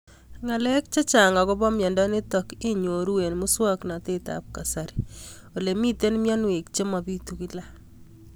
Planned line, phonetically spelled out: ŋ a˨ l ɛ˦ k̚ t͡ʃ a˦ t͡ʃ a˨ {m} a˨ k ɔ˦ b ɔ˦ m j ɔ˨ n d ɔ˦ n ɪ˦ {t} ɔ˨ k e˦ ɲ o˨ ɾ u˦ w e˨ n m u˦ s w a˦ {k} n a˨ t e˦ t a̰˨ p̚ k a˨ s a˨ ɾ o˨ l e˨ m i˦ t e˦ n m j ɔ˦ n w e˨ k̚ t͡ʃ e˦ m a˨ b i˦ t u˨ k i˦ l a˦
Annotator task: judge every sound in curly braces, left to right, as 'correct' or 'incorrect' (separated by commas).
incorrect, correct, correct